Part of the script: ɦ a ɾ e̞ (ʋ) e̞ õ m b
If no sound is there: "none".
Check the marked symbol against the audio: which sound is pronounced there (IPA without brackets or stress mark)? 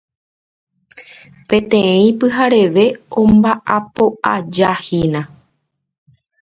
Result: ʋ